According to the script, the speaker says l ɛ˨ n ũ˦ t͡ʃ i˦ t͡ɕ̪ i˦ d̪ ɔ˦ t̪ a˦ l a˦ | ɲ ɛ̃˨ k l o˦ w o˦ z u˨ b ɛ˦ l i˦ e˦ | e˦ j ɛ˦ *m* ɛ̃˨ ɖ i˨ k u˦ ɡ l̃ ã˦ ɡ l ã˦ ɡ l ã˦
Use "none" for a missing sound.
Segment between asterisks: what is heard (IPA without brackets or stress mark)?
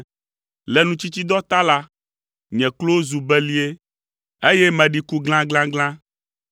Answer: m